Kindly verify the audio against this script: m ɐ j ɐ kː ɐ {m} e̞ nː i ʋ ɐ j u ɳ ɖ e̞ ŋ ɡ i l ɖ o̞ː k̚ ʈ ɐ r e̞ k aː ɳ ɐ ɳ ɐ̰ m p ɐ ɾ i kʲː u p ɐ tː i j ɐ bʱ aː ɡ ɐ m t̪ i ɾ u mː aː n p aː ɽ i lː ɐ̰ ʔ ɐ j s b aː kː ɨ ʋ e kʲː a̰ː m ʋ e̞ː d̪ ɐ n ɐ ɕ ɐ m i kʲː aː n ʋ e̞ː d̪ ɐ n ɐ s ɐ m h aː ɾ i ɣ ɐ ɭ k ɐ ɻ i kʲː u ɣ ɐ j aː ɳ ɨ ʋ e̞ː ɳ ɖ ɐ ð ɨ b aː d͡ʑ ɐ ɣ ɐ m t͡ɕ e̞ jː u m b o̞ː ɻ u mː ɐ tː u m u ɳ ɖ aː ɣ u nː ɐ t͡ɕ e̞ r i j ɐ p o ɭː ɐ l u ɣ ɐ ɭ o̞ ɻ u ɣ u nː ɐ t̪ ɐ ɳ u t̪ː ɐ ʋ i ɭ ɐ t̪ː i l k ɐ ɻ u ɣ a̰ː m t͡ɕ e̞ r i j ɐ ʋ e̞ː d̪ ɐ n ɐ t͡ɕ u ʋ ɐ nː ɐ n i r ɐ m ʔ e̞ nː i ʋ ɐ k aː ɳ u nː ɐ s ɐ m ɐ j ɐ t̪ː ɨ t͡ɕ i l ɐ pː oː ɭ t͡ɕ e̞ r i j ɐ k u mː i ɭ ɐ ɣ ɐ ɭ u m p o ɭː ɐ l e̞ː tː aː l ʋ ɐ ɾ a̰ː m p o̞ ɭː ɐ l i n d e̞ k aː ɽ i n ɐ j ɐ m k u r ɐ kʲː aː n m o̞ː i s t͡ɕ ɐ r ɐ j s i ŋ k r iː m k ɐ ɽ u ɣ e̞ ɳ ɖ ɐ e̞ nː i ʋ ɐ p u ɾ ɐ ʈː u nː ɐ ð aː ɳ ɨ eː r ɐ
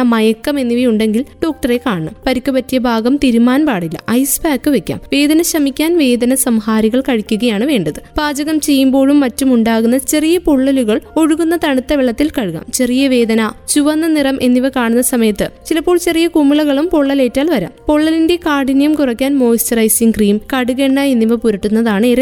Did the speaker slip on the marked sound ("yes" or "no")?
no